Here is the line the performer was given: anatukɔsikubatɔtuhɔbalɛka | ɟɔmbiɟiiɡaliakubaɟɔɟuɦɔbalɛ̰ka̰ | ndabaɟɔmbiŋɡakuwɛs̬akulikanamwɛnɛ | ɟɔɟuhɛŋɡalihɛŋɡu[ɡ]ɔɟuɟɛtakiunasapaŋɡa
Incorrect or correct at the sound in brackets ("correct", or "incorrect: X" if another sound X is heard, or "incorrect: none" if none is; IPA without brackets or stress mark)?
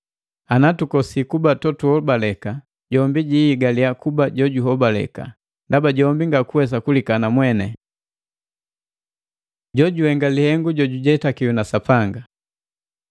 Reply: incorrect: ɟ